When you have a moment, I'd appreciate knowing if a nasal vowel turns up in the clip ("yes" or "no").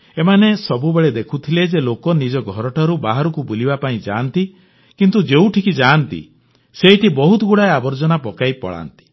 yes